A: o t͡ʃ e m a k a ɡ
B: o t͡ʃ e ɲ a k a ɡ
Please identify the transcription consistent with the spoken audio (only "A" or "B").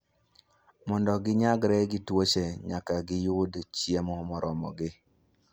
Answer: B